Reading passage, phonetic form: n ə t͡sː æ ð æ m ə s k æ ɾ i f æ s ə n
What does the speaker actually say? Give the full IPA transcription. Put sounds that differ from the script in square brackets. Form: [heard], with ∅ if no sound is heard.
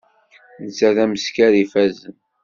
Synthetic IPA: n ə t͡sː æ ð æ m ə s k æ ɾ i f æ [z] ə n